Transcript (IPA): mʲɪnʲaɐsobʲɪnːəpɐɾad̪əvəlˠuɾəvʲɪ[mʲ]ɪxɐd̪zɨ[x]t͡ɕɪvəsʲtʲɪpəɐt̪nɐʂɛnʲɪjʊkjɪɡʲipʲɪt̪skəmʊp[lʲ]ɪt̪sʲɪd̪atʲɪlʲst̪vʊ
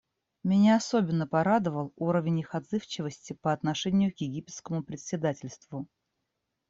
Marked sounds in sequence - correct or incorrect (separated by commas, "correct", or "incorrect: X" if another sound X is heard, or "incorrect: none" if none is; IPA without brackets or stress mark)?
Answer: incorrect: nʲ, incorrect: f, incorrect: ɾʲ